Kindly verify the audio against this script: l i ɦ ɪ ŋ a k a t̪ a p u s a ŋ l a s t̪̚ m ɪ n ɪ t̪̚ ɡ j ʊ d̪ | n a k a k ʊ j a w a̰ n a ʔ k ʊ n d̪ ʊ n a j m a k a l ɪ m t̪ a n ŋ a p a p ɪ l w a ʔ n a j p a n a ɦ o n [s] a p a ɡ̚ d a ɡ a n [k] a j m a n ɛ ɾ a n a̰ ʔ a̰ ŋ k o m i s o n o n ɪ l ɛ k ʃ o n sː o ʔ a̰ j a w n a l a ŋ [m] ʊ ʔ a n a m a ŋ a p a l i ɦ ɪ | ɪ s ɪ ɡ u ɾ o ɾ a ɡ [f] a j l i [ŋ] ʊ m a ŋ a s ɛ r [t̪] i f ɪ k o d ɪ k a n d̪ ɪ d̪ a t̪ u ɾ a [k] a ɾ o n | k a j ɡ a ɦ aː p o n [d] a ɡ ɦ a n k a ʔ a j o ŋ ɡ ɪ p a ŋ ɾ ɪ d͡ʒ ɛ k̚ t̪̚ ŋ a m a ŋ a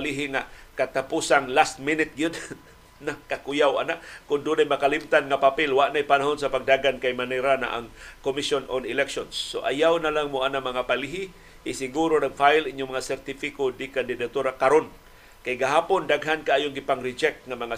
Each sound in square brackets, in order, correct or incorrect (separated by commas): correct, correct, correct, correct, incorrect, correct, correct, correct